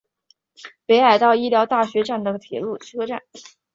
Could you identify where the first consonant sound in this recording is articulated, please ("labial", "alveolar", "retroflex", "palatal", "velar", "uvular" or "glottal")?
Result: labial